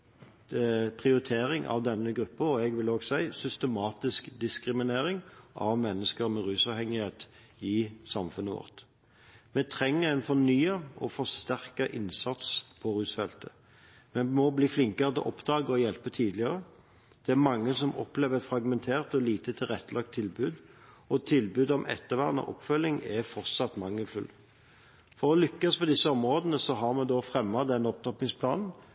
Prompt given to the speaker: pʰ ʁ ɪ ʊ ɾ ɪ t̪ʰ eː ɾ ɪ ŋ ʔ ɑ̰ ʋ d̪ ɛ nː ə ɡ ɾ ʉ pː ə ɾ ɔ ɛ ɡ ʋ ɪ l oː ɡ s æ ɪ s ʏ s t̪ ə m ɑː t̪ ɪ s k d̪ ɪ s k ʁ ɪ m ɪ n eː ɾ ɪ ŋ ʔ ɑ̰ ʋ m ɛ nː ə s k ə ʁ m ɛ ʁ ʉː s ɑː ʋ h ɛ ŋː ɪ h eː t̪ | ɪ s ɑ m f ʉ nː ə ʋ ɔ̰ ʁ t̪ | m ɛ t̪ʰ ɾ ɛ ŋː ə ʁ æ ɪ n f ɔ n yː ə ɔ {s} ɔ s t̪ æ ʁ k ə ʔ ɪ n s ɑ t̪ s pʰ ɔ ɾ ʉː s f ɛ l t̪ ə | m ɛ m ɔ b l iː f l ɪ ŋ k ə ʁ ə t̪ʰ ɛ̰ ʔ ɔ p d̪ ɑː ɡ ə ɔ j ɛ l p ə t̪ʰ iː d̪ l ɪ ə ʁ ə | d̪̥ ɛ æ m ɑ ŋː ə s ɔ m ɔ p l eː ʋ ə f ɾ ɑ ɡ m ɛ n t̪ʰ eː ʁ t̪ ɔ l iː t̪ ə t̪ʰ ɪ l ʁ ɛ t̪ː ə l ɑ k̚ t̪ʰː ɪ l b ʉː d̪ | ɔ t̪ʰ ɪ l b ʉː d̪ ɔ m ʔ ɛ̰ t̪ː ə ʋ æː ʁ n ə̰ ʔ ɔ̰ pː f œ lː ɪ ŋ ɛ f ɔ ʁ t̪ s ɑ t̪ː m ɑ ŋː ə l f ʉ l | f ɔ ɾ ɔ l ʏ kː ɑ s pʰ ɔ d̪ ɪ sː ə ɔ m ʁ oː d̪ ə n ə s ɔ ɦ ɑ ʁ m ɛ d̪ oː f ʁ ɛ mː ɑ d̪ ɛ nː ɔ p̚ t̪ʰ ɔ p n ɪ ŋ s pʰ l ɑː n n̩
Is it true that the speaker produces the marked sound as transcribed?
no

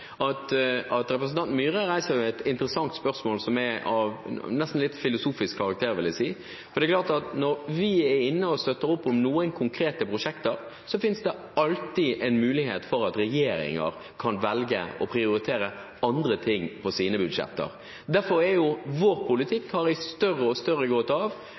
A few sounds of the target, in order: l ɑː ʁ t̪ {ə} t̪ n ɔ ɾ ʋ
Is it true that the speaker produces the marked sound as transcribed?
no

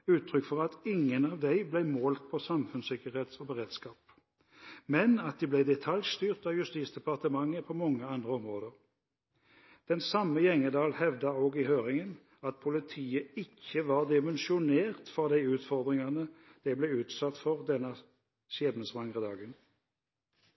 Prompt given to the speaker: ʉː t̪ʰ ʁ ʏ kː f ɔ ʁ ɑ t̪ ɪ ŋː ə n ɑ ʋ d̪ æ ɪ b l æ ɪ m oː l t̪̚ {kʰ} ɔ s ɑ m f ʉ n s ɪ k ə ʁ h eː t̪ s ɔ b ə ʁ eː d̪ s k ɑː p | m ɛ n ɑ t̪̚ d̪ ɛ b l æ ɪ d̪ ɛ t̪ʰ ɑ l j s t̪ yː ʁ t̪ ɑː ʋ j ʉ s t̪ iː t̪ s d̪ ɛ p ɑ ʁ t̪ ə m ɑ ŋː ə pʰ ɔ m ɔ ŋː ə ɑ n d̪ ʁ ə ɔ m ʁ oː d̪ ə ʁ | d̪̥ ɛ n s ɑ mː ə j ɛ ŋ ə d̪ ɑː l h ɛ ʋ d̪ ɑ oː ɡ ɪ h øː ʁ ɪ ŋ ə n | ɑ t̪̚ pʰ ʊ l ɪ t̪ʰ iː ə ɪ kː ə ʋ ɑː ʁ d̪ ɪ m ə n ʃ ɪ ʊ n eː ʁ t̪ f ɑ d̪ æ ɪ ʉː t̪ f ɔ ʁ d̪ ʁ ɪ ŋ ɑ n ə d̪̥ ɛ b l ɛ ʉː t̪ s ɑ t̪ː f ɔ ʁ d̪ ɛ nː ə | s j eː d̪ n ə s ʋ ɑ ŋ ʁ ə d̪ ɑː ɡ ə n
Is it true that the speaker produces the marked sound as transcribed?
no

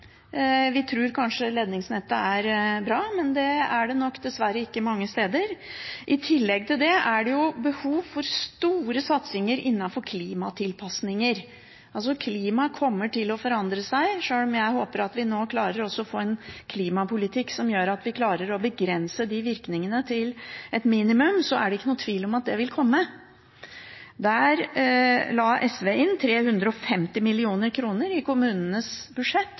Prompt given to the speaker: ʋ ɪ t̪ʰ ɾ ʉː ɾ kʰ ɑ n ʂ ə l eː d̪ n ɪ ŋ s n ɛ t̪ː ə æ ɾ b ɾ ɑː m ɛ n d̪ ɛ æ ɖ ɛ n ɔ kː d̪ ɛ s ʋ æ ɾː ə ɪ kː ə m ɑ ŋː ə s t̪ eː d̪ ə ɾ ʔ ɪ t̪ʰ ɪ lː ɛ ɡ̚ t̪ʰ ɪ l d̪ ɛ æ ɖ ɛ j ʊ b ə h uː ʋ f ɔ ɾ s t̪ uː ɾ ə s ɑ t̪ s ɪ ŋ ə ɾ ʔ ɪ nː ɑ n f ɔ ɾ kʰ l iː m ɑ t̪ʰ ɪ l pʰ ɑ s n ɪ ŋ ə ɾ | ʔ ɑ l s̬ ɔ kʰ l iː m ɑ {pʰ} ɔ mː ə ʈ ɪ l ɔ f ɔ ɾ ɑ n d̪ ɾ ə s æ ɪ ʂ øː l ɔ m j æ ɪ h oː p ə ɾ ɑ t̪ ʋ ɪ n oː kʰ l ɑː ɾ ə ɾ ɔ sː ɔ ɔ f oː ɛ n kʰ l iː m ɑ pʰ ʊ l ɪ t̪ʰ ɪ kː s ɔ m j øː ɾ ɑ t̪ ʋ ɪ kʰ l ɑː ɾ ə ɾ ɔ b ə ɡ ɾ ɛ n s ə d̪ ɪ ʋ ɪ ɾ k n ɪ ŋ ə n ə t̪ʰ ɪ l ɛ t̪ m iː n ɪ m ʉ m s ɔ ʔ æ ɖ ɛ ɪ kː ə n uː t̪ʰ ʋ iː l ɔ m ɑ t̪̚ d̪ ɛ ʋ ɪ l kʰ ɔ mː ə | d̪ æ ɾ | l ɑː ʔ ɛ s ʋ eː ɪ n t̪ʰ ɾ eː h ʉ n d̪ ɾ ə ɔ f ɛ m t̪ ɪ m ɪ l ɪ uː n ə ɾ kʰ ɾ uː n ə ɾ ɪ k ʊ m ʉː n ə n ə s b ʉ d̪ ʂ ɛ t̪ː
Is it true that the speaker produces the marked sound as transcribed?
no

